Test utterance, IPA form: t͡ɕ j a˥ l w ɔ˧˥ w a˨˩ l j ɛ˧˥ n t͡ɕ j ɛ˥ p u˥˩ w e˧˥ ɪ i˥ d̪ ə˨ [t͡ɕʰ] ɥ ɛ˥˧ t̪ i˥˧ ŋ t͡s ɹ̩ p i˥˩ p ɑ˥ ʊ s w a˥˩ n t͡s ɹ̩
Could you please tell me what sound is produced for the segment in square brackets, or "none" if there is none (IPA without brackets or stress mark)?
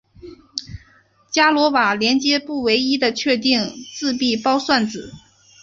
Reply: t͡ɕʰ